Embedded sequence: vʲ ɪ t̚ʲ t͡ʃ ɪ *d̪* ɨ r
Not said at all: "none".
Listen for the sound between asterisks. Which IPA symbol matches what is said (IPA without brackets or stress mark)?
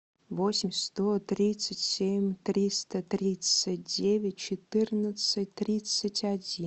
t̪